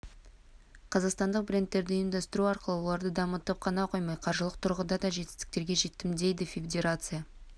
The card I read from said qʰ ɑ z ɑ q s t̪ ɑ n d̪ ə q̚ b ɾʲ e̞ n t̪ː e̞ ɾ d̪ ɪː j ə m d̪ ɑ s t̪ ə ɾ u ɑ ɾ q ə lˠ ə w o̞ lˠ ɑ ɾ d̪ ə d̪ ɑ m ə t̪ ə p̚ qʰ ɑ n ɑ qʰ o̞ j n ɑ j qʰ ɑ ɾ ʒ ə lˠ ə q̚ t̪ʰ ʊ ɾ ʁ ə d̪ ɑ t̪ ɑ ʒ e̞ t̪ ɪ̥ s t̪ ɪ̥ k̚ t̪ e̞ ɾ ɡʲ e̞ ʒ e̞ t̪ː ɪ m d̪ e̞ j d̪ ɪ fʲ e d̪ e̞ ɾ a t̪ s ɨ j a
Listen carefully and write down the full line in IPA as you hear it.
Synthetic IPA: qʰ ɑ z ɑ q s t̪ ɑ n d̪ ə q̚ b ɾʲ e̞ n t̪ː e̞ ɾ d̪ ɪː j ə m d̪ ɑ s t̪ ə ɾ u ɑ ɾ q ə lˠ ə w o̞ lˠ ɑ ɾ d̪ ə d̪ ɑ m ə t̪ ə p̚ qʰ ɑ n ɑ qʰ o̞ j m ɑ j qʰ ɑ ɾ ʒ ə lˠ ə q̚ t̪ʰ ʊ ɾ ʁ ə d̪ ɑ d̪ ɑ ʒ e̞ t̪ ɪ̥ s t̪ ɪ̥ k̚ t̪ e̞ ɾ ɡʲ e̞ ʒ e̞ t̪ː ɪ m d̪ e̞ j d̪ ɪ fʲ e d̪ e̞ ɾ a t̪ s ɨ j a